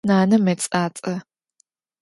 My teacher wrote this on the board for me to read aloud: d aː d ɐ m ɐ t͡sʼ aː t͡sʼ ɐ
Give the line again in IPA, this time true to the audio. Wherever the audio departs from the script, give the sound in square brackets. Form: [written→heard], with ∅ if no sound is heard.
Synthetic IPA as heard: [d→n] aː [d→n] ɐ m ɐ t͡sʼ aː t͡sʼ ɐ